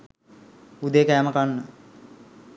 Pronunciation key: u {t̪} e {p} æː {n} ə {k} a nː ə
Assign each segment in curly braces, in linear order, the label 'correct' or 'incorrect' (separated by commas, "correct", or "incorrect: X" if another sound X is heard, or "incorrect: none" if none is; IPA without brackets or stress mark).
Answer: incorrect: d̪, incorrect: k, incorrect: m, correct